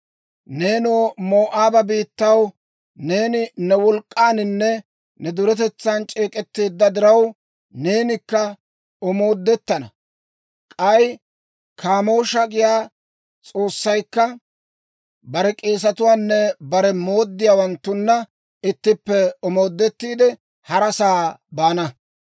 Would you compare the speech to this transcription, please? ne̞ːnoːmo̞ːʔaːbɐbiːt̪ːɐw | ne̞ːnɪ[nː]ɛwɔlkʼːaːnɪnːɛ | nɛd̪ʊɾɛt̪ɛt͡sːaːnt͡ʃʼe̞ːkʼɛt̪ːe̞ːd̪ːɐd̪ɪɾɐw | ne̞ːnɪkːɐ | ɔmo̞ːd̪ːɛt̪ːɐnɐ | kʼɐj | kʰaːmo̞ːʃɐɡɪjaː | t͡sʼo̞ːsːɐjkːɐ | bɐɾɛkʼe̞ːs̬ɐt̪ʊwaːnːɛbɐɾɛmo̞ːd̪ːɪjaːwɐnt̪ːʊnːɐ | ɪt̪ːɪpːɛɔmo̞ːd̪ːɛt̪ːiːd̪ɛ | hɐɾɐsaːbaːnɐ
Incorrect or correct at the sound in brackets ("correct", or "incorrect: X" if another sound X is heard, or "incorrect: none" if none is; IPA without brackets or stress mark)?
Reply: incorrect: n